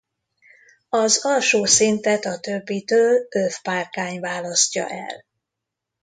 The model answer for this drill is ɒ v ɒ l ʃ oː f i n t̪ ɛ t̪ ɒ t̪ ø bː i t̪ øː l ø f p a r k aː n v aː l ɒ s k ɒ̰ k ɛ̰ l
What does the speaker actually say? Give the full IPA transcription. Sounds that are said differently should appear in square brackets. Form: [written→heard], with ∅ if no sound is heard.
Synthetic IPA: ɒ [v→z] ɒ l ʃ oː [f→s] i n t̪ ɛ t̪ ɒ t̪ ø bː i t̪ øː l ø f p a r k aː [n→ɲ] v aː l ɒ s [k→c] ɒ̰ [k→ʔ] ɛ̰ l